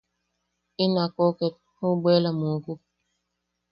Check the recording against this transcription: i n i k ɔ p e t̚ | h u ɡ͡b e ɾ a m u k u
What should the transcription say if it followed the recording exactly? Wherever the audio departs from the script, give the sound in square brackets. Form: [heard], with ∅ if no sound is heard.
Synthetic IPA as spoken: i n [a] k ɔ [k] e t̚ | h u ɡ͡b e [l] a m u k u